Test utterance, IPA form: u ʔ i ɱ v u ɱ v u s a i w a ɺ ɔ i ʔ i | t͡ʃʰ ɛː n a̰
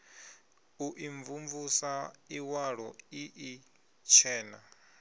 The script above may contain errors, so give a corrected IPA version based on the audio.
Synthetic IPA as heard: u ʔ i ɱ v u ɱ v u s a i w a ɺ ɔ i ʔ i | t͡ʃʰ ɛː n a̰